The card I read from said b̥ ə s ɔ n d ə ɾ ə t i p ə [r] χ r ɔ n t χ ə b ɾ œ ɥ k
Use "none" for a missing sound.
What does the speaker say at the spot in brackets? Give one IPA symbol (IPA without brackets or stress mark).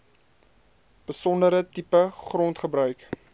none